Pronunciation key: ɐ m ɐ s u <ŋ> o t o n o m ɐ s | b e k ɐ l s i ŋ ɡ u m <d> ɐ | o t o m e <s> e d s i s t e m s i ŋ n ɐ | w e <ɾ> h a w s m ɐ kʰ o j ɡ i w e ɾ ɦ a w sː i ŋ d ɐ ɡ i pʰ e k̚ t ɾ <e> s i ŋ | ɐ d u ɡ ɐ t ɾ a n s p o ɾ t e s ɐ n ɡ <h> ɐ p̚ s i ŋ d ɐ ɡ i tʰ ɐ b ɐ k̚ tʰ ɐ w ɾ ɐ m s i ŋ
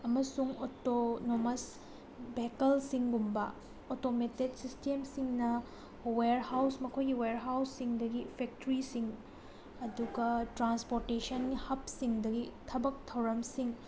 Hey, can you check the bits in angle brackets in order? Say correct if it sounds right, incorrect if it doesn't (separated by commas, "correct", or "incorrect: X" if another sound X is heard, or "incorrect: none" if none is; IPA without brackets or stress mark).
correct, incorrect: b, incorrect: t, correct, incorrect: i, correct